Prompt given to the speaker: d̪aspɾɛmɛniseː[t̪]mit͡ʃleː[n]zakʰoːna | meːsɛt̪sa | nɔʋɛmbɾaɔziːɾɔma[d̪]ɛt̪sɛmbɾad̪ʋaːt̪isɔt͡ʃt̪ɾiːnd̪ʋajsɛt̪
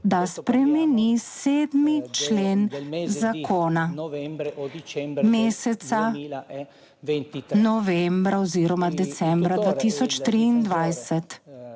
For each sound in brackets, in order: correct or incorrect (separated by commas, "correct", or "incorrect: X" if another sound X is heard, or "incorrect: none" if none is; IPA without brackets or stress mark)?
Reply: incorrect: d̪, correct, correct